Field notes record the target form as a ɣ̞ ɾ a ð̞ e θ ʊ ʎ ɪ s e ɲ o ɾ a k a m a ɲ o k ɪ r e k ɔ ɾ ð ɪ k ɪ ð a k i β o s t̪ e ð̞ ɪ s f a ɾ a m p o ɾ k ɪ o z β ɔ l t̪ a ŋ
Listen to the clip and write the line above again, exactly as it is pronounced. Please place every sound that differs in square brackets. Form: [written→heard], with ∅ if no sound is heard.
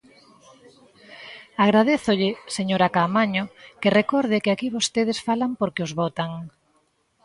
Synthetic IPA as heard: a ɣ̞ ɾ a ð̞ e θ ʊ ʎ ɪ s e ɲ o ɾ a k a m a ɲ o k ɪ r e k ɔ ɾ ð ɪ k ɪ [ð→∅] a k i β o s t̪ e ð̞ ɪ s f a [ɾ→l] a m p o ɾ k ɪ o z β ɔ [l→∅] t̪ a ŋ